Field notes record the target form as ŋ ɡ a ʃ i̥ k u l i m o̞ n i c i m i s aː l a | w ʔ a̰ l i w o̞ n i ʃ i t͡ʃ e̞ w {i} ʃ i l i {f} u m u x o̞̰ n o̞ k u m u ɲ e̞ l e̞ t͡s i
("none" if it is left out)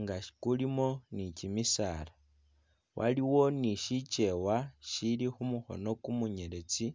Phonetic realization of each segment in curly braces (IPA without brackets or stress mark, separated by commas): a, x